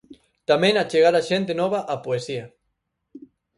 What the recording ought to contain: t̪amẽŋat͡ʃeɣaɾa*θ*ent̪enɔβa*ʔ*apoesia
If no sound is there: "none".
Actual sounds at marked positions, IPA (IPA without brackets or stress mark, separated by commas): ʃ, ʔ